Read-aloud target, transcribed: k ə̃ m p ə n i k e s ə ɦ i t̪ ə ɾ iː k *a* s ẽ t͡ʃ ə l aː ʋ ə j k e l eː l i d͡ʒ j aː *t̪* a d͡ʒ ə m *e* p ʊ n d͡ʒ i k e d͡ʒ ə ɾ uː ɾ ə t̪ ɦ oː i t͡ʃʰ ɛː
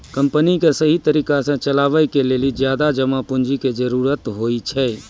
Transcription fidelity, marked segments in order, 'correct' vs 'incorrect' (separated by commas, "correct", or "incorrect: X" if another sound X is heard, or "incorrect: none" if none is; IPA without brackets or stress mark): correct, incorrect: d̪, incorrect: a